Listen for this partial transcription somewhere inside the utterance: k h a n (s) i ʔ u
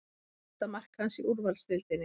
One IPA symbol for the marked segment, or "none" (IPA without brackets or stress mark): s